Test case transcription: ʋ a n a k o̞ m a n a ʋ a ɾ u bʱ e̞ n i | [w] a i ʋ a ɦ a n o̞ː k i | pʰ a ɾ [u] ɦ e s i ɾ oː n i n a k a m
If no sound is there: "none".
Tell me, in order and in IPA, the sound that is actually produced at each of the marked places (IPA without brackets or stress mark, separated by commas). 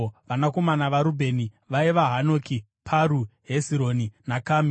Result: ʋ, u